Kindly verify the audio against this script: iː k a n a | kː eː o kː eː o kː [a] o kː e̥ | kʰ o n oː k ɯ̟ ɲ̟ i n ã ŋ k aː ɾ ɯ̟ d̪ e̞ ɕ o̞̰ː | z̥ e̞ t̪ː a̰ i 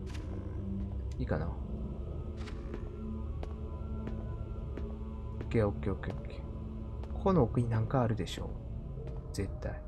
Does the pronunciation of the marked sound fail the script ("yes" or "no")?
yes